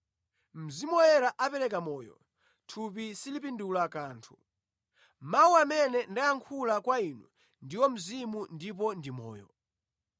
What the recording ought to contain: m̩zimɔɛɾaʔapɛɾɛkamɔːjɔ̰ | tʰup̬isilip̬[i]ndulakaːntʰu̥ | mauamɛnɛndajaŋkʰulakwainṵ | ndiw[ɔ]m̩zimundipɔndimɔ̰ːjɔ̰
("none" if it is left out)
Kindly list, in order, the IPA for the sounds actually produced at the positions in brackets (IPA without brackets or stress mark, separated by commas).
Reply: i, ɔ